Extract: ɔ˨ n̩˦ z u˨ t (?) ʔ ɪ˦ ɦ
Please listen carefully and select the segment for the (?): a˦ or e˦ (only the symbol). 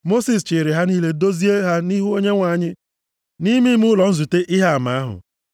e˦